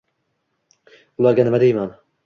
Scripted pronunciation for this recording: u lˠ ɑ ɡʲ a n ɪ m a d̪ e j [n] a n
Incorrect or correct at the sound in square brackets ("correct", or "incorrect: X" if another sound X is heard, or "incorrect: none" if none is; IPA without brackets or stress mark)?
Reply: incorrect: m